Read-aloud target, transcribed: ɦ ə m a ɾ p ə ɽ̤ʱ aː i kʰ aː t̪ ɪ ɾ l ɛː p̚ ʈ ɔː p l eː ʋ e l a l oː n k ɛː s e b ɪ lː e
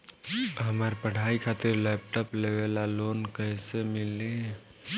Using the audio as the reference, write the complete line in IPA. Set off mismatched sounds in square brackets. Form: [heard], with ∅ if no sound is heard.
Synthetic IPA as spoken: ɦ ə m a ɾ p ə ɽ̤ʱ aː i kʰ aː t̪ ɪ ɾ l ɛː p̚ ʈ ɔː p l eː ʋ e l a l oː n k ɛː s e [m] ɪ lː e